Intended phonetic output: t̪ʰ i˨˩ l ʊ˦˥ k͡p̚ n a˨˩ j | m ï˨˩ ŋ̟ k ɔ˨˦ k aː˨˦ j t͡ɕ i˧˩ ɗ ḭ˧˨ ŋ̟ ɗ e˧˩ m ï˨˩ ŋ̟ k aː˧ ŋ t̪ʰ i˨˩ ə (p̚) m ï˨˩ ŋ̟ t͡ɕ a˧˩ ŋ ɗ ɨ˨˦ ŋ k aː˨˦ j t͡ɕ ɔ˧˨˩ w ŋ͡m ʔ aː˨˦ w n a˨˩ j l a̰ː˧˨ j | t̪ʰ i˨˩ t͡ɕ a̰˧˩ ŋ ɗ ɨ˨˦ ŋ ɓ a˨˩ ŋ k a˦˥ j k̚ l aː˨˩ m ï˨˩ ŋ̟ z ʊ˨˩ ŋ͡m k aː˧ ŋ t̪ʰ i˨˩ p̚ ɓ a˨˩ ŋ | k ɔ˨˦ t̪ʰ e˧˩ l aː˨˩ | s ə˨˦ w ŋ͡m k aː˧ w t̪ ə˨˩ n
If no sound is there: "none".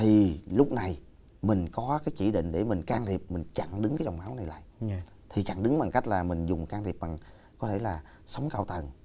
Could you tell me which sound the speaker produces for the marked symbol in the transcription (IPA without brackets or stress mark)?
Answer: p̚